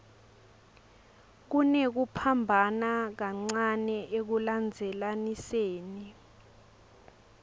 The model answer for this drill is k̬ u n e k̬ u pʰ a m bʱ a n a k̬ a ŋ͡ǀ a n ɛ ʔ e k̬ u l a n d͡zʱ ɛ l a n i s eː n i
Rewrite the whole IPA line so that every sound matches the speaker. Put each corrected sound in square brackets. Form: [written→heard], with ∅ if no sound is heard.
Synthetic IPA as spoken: k̬ u n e k̬ u pʰ a m bʱ a n a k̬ a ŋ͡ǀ a n ɛ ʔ e k̬ u l a n d͡zʱ ɛ l a n i s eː n i